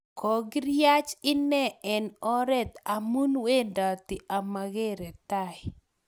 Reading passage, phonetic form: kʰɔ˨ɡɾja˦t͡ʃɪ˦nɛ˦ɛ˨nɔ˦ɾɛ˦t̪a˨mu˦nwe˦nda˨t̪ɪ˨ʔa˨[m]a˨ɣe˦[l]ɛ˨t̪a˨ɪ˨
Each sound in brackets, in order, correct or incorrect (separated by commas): correct, incorrect